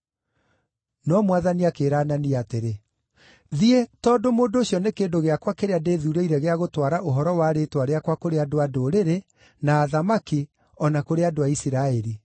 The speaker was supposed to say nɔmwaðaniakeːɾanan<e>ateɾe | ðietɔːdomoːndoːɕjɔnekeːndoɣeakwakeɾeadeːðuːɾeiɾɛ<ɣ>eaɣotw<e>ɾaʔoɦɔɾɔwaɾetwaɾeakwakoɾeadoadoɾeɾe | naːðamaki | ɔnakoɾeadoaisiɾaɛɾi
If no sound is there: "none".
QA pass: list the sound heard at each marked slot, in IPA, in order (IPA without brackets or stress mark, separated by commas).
i, ɣ, a